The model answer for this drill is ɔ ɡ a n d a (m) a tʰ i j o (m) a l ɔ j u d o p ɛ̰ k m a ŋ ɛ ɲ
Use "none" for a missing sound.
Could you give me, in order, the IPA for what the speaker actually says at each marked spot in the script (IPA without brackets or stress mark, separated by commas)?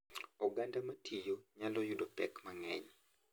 m, ɲ